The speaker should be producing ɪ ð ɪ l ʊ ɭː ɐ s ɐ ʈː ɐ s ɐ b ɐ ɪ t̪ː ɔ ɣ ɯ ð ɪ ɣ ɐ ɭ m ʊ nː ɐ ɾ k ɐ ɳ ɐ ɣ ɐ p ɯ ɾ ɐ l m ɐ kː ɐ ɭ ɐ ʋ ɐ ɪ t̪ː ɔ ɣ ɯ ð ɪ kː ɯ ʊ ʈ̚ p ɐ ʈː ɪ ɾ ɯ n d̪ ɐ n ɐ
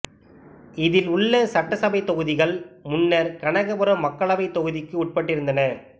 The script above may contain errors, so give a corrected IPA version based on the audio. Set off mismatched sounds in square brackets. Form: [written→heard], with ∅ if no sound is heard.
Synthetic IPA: ɪ ð ɪ l ʊ ɭː ɐ s ɐ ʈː ɐ s ɐ b ɐ ɪ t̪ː ɔ ɣ ɯ ð ɪ ɣ ɐ ɭ m ʊ nː ɐ ɾ k ɐ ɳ ɐ ɣ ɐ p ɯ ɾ ɐ [l→∅] m ɐ kː ɐ ɭ ɐ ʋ ɐ ɪ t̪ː ɔ ɣ ɯ ð ɪ kː ɯ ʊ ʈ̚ p ɐ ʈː ɪ ɾ ɯ n d̪ ɐ n ɐ